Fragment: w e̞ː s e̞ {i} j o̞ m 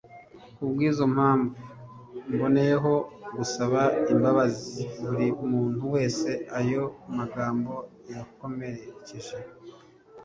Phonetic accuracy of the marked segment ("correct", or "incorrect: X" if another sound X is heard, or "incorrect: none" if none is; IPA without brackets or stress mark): incorrect: a